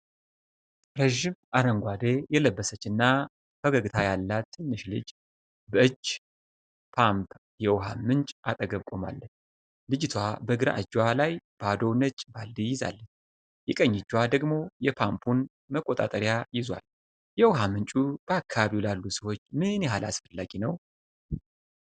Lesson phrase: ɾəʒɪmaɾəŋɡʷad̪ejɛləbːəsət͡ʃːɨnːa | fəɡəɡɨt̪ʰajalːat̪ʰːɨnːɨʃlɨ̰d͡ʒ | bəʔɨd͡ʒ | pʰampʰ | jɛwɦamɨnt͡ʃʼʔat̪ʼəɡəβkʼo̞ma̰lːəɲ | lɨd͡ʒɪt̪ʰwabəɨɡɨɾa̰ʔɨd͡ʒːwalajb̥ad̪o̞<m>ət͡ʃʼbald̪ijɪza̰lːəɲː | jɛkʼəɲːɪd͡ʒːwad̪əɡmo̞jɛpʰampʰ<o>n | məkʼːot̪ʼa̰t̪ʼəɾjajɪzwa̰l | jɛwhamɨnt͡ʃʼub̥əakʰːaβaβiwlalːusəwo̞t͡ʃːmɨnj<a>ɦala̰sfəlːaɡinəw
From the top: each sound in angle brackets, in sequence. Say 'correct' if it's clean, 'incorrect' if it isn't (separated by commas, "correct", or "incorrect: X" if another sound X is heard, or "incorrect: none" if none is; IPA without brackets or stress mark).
incorrect: n, incorrect: u, incorrect: ɛ